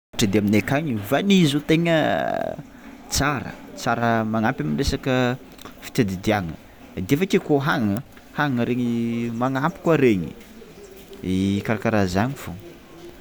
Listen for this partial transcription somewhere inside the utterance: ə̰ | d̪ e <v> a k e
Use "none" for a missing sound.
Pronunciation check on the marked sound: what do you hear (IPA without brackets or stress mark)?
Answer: f